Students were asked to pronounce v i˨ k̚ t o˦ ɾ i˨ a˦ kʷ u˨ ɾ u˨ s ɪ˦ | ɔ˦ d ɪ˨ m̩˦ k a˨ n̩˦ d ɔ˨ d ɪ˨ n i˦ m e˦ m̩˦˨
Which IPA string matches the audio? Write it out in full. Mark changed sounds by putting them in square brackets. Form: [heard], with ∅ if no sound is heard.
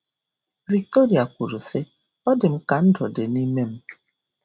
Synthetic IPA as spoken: v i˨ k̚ t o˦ ɾ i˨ [a˨] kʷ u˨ ɾ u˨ s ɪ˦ | ɔ˦ d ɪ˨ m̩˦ k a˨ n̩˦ d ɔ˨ d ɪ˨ n i˦ m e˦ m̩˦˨